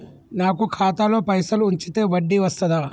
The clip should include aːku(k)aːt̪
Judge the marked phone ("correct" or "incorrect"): incorrect